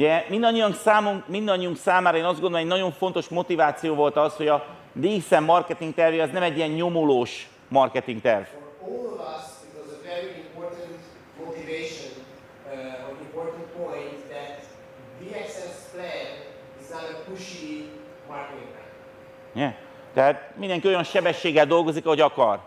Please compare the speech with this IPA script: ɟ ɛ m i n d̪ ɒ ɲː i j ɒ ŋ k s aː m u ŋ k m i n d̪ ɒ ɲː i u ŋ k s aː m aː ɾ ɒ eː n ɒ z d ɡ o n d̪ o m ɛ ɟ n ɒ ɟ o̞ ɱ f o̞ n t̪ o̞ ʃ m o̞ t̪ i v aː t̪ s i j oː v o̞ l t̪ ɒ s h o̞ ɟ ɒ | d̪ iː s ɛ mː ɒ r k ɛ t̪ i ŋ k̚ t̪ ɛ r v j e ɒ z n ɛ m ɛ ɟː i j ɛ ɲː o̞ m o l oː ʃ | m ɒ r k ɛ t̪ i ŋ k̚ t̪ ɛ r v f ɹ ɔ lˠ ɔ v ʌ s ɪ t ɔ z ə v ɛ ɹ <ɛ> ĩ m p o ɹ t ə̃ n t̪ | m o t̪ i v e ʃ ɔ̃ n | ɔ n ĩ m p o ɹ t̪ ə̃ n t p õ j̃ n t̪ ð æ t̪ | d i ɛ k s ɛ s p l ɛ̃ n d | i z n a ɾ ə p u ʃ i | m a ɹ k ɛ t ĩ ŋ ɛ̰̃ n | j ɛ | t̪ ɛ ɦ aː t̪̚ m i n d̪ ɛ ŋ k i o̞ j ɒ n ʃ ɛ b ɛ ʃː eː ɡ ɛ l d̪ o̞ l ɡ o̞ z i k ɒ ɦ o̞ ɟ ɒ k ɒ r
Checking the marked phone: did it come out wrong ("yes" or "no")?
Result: yes